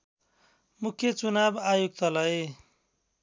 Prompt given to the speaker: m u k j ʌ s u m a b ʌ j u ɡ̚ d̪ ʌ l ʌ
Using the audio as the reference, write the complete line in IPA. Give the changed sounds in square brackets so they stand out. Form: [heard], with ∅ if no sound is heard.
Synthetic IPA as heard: m u [kʰ] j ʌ [t͡s] u [n] a b [a] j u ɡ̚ [t̪] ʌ l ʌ